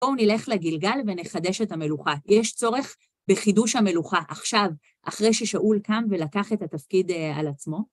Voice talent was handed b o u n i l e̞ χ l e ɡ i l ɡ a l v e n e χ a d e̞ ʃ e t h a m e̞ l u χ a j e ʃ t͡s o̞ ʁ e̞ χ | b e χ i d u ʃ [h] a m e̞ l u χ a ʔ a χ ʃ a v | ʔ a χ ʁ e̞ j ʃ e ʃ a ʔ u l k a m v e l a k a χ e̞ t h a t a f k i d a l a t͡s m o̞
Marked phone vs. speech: correct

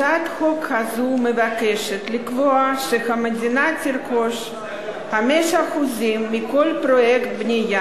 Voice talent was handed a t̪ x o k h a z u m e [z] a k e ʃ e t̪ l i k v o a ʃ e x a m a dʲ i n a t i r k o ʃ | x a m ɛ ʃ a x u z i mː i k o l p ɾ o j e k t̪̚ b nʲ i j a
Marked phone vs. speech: incorrect: v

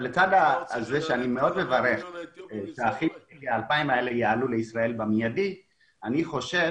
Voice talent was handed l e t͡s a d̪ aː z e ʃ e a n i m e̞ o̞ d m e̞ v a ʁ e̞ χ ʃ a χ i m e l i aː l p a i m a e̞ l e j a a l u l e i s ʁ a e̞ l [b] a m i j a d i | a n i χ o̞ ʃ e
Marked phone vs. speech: correct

